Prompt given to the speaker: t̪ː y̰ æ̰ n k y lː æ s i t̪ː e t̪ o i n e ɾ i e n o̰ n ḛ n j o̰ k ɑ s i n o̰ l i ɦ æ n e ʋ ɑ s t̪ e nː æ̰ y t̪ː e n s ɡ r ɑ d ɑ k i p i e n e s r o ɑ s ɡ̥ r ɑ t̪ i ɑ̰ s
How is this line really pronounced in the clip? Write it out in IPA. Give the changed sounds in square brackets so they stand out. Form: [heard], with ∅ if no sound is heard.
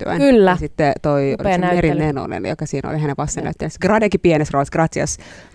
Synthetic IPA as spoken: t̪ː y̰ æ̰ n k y lː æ s i t̪ː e t̪ o i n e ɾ i e n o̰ n ḛ n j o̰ k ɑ s [iː] n o̰ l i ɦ æ n e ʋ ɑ s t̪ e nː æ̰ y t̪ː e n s ɡ r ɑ d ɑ k i p i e n e s r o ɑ s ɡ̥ r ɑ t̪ i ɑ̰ s